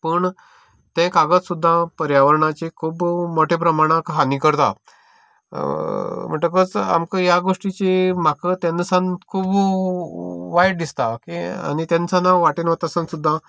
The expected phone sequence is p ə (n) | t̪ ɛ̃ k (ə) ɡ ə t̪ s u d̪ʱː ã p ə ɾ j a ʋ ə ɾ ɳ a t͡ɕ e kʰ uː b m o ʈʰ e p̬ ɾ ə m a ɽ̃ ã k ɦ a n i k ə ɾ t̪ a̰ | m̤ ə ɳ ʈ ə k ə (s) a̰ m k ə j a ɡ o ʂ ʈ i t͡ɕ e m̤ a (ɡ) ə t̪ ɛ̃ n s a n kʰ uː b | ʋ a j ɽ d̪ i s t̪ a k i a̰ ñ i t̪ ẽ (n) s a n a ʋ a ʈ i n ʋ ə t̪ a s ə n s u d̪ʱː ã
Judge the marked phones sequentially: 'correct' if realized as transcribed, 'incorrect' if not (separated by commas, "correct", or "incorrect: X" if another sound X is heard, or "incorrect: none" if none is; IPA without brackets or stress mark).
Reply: incorrect: ɳ, incorrect: a, incorrect: t͡s, incorrect: k, correct